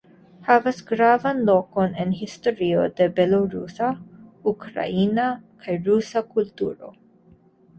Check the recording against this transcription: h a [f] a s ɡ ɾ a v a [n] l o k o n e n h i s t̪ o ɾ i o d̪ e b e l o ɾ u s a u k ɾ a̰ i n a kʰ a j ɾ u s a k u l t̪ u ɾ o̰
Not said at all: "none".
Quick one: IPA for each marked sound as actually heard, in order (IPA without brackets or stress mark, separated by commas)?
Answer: v, n